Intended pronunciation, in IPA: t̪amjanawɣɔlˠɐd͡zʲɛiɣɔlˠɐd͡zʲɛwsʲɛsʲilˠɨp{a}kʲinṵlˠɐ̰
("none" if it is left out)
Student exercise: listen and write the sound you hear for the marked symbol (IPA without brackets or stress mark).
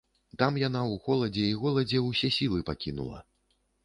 a